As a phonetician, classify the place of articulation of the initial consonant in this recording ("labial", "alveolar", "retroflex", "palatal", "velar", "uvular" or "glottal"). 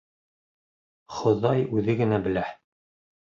uvular